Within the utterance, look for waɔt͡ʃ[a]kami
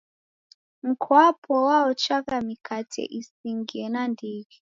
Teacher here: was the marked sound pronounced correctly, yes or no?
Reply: yes